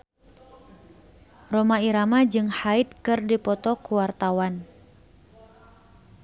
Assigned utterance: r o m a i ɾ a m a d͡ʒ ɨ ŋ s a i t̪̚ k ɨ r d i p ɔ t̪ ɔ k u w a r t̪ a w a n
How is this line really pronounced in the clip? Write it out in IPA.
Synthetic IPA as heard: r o m a i ɾ a m a d͡ʒ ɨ ŋ h a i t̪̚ k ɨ r d i p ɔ t̪ ɔ k u w a r t̪ a w a n